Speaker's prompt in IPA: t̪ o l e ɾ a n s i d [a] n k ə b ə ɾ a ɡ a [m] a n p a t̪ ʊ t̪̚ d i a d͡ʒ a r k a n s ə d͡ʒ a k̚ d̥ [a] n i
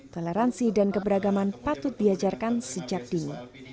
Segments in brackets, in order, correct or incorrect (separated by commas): correct, correct, incorrect